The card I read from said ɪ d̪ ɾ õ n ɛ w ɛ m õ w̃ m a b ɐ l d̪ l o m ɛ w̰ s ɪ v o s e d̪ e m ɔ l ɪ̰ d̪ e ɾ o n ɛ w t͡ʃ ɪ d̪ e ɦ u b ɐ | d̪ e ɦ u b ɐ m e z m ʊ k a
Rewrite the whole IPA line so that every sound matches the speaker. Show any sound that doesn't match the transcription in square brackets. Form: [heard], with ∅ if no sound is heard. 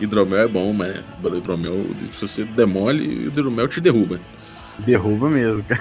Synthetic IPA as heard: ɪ d̪ ɾ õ [m] ɛ w ɛ [b] õ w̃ m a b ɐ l d̪ [ɾ] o m ɛ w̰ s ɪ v o s e d̪ e m ɔ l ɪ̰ d̪ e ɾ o [m] ɛ w t͡ʃ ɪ d̪ e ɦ u b ɐ | d̪ e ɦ u b ɐ m e z m ʊ k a